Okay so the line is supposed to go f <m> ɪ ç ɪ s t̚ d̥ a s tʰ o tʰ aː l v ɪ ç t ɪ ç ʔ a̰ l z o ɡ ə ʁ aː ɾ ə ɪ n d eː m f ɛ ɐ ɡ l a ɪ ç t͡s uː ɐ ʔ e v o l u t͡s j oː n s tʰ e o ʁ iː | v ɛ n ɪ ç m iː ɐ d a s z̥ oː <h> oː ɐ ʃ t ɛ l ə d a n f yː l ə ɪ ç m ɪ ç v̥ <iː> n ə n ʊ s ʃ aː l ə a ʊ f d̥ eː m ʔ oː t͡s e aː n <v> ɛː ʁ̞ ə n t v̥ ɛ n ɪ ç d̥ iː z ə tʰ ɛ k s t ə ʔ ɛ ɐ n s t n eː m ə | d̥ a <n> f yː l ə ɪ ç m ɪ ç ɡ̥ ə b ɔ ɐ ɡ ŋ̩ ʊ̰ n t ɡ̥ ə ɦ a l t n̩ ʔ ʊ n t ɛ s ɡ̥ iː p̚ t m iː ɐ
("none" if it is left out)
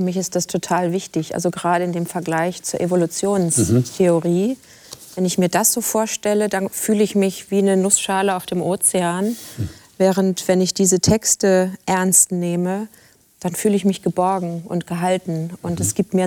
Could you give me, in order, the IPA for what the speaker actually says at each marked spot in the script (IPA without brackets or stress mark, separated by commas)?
m, f, iː, v, n